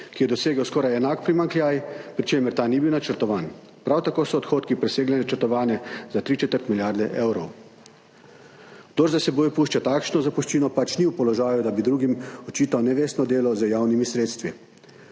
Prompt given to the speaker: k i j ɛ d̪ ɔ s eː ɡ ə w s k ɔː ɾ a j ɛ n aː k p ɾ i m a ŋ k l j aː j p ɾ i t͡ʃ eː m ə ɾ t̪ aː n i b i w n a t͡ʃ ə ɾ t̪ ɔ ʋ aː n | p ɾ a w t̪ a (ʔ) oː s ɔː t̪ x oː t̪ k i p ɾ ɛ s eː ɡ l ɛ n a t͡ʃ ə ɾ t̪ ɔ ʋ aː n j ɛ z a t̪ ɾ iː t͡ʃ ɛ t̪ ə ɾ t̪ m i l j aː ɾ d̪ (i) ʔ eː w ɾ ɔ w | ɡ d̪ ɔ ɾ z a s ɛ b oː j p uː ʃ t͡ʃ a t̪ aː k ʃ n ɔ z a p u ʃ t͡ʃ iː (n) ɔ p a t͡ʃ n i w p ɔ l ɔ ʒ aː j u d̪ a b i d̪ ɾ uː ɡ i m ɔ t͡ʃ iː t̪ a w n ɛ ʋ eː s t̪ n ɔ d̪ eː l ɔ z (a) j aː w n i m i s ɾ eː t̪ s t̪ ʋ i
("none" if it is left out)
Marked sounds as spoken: k, ɛ, n, ə

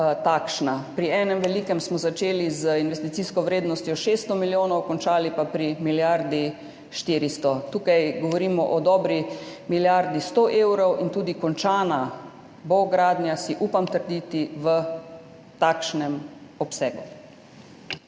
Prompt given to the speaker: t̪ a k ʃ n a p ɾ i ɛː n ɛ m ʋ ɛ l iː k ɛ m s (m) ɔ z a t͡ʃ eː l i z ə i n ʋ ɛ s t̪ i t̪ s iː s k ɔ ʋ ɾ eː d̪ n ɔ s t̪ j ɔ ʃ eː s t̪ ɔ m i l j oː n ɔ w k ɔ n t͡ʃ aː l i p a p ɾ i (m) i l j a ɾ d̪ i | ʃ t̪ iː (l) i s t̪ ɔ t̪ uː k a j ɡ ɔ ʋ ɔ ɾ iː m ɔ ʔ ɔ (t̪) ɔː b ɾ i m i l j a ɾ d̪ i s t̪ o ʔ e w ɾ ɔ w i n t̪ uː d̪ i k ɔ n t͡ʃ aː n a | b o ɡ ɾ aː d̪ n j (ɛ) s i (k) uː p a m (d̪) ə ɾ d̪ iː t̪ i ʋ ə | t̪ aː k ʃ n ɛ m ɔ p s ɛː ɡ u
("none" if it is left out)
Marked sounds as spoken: m, m, ɾ, d̪, a, ʔ, t̪

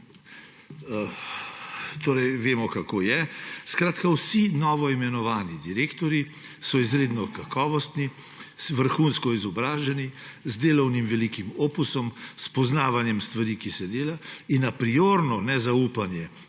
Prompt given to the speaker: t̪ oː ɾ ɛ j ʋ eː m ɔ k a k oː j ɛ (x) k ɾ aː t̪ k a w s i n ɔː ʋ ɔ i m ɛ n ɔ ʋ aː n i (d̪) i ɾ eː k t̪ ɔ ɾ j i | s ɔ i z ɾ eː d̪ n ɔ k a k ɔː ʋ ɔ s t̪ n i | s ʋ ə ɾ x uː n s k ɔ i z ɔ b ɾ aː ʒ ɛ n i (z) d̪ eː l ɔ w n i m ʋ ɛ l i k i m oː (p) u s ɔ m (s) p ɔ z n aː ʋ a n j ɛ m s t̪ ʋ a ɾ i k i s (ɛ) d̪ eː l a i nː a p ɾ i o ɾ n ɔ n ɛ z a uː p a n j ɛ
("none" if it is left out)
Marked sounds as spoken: s, d̪, z, p, s, ɛ

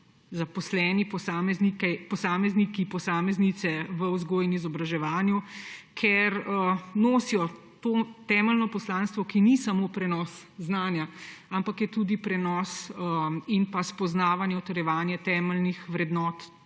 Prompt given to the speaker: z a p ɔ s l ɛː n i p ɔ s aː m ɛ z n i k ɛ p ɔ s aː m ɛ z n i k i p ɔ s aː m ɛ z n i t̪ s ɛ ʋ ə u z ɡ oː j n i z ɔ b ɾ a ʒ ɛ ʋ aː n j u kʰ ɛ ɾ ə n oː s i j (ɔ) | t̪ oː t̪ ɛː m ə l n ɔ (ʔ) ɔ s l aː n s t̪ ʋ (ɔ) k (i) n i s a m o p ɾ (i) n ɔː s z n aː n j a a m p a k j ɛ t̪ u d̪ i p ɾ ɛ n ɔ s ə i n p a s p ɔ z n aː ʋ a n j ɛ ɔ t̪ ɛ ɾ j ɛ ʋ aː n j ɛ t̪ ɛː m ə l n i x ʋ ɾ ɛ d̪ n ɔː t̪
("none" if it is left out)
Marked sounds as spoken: ɔ, p, ɔ, i, ɛ

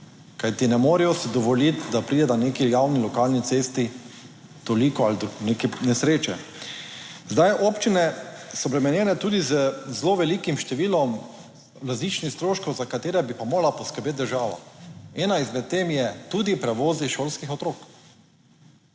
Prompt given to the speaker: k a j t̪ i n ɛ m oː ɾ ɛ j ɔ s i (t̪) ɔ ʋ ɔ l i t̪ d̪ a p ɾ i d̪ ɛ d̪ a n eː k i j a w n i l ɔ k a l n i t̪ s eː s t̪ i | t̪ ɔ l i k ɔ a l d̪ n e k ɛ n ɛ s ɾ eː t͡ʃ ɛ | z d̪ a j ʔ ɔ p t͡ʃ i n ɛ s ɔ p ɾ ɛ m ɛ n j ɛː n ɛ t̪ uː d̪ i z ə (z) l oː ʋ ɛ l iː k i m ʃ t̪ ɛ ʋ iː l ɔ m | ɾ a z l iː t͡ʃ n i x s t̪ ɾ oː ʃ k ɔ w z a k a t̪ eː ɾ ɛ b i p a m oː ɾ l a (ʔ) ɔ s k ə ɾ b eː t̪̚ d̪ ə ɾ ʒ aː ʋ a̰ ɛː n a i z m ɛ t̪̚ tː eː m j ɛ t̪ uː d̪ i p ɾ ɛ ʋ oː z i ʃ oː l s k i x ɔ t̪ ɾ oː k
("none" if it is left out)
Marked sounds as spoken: d̪, z, p

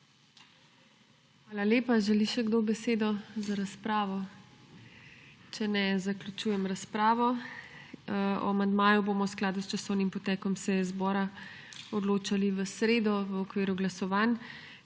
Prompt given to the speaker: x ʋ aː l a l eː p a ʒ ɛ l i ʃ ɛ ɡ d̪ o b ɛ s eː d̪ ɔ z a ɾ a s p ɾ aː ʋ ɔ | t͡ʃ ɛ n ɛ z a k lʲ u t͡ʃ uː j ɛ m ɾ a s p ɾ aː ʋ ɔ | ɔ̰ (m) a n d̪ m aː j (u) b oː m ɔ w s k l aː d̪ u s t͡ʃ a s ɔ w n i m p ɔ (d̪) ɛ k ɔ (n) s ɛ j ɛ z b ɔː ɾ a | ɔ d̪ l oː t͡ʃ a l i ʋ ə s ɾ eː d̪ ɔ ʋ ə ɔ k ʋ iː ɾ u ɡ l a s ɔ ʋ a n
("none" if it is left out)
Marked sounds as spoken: m, u, t̪, m

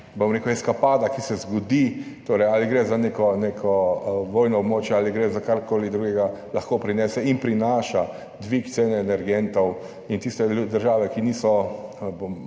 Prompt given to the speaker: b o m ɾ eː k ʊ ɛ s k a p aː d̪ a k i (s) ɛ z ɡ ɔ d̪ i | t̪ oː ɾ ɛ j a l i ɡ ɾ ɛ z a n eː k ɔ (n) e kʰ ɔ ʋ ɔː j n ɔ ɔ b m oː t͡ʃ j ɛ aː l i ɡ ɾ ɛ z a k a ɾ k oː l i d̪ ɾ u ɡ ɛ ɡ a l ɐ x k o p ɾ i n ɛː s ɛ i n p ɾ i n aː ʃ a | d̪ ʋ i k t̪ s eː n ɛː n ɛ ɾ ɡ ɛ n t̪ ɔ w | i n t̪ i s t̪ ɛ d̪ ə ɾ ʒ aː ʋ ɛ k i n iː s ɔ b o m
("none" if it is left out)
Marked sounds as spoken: s, n

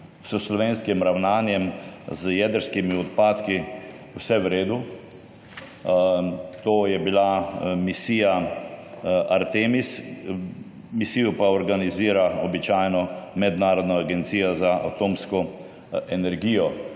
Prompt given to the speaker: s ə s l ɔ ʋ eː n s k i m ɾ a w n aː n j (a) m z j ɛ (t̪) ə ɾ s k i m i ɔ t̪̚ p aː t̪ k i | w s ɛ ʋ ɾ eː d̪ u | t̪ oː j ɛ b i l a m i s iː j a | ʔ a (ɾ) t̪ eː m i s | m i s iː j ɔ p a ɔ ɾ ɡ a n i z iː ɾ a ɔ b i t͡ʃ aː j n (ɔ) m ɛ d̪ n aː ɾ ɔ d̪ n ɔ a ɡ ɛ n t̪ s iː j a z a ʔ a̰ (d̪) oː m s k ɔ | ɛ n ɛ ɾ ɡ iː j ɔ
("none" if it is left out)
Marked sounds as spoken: ɛ, d̪, ɾ, ɔ, t̪

